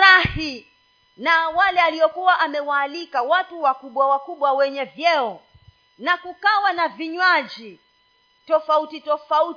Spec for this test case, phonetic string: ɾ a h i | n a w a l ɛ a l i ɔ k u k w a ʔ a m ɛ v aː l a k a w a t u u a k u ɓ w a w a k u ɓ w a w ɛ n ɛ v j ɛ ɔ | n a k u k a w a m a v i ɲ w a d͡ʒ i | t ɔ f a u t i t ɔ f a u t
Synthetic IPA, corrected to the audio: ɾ a h i | n a w a l ɛ a l i ɔ k u w a ʔ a m ɛ w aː l i k a w a t u w a k u ɓ w a w a k u ɓ w a w ɛ ɲ ɛ v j ɛ ɔ | n a k u k a w a n a v i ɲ w a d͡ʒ i | t ɔ f a u t i t ɔ f a u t